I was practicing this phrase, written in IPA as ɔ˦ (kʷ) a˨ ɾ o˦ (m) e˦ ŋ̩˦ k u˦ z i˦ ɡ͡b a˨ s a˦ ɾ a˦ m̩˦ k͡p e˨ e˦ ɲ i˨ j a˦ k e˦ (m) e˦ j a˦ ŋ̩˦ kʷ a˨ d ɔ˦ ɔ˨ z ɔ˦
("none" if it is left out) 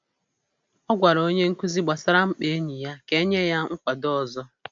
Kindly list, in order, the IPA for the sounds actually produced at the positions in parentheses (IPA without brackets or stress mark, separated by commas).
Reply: ɡʷ, ɲ, ɲ